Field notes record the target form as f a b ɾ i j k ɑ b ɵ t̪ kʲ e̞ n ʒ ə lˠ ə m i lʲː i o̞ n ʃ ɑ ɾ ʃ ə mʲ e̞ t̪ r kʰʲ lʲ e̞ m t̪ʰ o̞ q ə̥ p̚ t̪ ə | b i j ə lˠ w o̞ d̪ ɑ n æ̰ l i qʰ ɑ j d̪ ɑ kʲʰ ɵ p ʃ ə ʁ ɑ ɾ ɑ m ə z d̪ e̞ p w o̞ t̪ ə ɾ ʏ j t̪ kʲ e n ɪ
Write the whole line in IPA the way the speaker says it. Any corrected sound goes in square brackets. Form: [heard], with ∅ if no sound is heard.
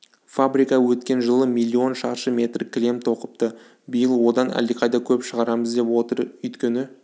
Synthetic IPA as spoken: f a b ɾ i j k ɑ [w] ɵ t̪ kʲ e̞ n ʒ ə lˠ ə m i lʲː i o̞ n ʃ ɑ ɾ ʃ ə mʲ e̞ t̪ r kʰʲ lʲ e̞ m t̪ʰ o̞ q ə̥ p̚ t̪ ə | b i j ə lˠ w o̞ d̪ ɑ n æ̰ l i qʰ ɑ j d̪ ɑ kʲʰ ɵ p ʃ ə ʁ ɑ ɾ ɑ m ə z d̪ e̞ p w o̞ t̪ ə ɾ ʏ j t̪ kʲ e n ɪ